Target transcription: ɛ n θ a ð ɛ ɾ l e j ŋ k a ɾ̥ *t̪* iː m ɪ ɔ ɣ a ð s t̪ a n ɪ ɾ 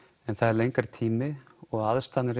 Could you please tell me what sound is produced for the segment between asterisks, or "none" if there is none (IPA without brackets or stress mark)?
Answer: t̪ʰ